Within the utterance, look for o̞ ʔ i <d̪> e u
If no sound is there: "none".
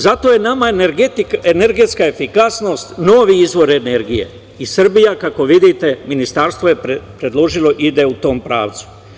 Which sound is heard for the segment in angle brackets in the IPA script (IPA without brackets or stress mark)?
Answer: d̪